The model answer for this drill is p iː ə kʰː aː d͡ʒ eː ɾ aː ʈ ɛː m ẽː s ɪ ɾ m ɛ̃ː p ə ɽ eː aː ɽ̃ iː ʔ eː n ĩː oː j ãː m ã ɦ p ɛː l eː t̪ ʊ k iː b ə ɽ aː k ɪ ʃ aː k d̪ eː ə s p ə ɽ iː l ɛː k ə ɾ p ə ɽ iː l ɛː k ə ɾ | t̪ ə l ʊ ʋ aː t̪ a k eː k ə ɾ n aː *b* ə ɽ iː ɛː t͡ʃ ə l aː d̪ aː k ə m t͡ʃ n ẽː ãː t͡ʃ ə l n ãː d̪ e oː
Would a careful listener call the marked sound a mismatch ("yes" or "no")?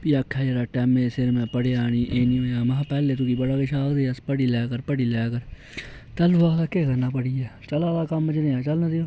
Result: yes